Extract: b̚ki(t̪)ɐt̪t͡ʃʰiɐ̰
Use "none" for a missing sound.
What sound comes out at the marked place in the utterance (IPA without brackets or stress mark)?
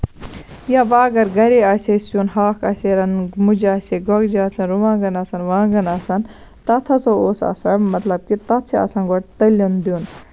t̪